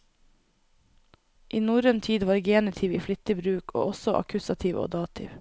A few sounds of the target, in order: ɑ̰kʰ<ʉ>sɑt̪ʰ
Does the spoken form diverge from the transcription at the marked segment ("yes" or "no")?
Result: no